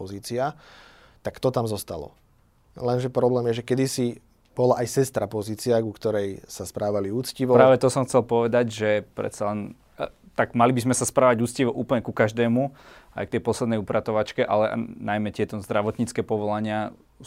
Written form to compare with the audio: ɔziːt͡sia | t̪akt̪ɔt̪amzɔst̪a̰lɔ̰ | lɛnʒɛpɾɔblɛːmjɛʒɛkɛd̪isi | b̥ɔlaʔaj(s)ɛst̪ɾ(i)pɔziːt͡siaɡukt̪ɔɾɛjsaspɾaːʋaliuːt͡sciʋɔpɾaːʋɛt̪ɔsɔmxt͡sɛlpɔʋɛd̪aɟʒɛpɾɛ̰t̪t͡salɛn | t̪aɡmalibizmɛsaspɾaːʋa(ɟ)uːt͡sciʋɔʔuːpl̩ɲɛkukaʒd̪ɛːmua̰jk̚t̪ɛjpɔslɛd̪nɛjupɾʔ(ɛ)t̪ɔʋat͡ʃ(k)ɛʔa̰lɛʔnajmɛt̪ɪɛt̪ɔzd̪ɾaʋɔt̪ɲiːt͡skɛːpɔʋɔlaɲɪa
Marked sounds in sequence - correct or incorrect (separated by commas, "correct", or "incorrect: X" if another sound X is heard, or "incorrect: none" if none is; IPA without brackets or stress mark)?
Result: correct, incorrect: a, correct, incorrect: a, correct